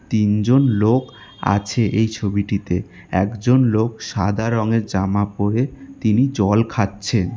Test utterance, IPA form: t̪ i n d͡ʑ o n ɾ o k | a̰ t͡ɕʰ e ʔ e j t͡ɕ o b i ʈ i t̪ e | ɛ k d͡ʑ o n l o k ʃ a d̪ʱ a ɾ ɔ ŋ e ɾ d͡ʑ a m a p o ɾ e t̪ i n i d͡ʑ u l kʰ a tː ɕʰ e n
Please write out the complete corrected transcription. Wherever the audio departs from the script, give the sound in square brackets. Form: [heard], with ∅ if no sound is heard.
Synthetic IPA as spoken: t̪ i n d͡ʑ o n [l] o k | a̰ t͡ɕʰ e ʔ e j [t͡ɕʰ] o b i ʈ i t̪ e | ɛ k d͡ʑ o n l o k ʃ a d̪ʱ a ɾ ɔ ŋ e ɾ d͡ʑ a m a p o ɾ e t̪ i n i d͡ʑ [ɔ] l kʰ a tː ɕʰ e n